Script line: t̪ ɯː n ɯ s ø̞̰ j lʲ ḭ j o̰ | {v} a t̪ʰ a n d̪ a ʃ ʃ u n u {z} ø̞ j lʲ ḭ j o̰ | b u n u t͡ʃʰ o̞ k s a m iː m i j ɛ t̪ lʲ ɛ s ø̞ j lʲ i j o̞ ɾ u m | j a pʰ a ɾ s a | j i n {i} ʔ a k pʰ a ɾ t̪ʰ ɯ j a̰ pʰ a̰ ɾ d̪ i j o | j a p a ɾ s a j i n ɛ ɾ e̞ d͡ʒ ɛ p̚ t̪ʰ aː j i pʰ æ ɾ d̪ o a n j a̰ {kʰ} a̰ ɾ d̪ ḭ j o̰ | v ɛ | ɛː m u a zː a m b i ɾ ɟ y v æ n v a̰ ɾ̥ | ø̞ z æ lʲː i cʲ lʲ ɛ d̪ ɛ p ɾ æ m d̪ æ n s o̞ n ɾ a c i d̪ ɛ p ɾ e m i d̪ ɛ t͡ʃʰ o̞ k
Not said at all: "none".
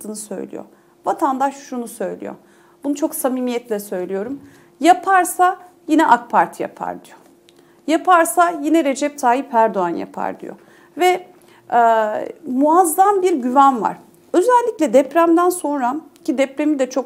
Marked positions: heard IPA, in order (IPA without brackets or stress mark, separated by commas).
v, s, ɛ, pʰ